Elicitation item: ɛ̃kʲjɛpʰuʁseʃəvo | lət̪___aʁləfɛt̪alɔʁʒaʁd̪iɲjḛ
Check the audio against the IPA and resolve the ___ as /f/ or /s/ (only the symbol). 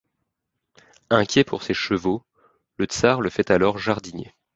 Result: s